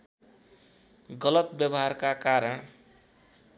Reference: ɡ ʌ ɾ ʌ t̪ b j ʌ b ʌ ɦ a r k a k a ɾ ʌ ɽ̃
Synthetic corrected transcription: ɡ ʌ l ʌ t̪ b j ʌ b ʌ ɦ a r k a k a ɾ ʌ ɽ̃